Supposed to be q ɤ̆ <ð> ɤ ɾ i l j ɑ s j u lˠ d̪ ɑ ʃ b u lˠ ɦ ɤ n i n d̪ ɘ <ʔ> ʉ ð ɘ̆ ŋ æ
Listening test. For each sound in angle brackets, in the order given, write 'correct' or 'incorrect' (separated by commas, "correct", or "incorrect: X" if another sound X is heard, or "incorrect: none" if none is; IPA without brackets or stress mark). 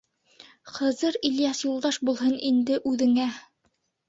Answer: incorrect: z, correct